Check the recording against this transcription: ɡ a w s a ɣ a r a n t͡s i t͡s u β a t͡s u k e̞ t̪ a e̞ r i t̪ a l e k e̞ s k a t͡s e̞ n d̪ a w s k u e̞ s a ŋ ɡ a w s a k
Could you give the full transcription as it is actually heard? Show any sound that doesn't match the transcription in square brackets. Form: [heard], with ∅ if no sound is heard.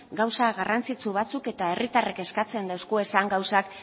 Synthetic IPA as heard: ɡ a w s a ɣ a r a n t͡s i t͡s u β a t͡s u k e̞ t̪ a e̞ r i t̪ a [r] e k e̞ s k a t͡s e̞ n d̪ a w s k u e̞ s a ŋ ɡ a w s a k